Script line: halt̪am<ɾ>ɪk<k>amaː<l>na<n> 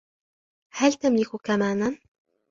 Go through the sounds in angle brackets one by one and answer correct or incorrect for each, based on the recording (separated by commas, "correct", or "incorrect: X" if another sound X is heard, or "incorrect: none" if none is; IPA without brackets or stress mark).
incorrect: l, correct, incorrect: none, correct